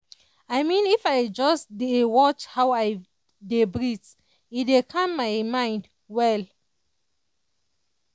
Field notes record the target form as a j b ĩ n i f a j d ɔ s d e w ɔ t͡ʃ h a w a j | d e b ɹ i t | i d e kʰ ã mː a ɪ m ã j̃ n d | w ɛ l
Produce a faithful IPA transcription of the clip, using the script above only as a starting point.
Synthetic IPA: a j m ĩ n i f a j d͡ʒ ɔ s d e w ɔ t͡ʃ h a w a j | d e b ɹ i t | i d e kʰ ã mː a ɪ m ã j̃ n d | w ɛ l